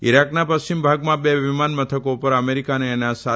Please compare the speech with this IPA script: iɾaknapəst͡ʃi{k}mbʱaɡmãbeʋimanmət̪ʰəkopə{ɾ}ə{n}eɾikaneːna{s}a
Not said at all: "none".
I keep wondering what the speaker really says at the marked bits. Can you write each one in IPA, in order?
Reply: none, ɾ, m, s

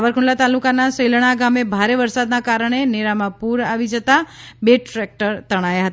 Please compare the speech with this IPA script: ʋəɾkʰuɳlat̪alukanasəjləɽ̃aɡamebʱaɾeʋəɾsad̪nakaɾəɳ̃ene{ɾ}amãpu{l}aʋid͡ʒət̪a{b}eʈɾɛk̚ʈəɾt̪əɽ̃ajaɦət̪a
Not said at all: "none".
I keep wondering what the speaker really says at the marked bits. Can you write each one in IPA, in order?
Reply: ɾ, ɾ, b

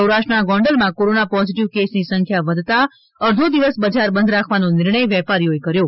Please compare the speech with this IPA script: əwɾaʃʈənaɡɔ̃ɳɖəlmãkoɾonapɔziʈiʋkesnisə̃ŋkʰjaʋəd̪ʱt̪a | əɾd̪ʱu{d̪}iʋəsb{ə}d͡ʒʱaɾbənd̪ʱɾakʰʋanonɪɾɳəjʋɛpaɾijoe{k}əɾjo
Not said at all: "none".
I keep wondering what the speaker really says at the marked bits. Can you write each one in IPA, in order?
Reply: d̪, ə, k

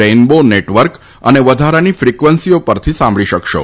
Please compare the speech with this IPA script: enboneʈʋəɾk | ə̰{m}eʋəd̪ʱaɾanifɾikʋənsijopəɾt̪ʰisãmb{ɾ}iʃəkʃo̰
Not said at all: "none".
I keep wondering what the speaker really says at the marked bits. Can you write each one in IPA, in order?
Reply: n, ɭ

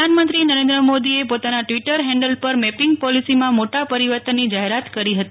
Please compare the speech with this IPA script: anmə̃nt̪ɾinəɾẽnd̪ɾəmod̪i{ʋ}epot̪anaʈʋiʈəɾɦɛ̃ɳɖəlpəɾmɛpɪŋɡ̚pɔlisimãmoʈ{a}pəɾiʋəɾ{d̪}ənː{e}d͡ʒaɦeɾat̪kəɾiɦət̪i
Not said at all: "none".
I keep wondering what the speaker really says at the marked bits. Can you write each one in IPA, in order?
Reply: none, a, t̪, i

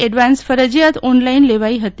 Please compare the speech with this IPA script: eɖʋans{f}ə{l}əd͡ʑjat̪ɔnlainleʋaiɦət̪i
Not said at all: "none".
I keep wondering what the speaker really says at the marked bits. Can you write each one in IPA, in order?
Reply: f, ɾ

